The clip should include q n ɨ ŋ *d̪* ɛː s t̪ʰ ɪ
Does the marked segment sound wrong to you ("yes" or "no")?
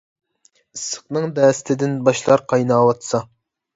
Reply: no